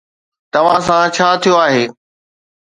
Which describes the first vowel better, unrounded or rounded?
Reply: unrounded